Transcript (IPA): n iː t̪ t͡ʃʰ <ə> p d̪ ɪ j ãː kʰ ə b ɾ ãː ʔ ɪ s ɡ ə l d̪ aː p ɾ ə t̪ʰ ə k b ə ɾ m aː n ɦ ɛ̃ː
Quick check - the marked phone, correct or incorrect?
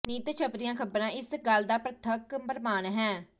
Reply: correct